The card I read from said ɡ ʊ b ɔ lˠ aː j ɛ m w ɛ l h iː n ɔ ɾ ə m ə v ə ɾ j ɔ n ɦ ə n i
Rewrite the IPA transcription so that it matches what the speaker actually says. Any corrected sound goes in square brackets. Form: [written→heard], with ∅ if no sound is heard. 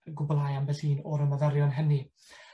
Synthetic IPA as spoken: ɡ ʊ b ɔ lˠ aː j [ɛ→a] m [w→b] ɛ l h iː n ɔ ɾ ə m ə [v→ð] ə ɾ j ɔ n ɦ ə n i